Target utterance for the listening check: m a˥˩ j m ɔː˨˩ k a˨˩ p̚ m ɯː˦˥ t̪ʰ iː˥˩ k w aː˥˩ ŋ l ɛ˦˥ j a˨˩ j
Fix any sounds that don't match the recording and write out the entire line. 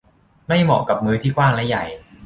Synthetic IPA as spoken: m a˥˩ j m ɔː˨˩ k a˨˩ p̚ m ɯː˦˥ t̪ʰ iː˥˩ k w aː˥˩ ŋ l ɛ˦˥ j a˨˩ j